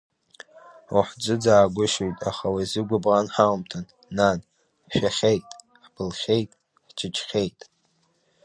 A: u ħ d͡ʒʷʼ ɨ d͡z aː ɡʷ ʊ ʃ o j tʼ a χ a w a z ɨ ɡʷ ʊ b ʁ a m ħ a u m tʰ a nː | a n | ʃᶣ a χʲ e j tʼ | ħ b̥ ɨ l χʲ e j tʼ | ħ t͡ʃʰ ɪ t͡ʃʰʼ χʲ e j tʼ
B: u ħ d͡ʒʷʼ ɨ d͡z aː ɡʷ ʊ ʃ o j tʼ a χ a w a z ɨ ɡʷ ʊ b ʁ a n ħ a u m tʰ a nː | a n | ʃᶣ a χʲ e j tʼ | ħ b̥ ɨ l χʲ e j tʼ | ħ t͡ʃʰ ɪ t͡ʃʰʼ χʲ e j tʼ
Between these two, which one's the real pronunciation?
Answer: B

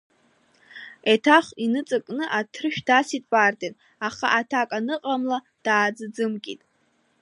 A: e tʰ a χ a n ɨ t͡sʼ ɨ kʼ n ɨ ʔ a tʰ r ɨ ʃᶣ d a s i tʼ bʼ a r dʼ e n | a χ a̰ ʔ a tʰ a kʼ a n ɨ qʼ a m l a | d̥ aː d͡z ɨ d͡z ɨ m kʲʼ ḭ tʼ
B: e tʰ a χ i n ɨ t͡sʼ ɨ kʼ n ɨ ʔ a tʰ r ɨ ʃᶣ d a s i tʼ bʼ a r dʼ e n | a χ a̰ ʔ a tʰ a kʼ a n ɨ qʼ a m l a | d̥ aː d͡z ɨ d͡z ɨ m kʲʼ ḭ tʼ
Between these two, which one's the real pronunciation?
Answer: B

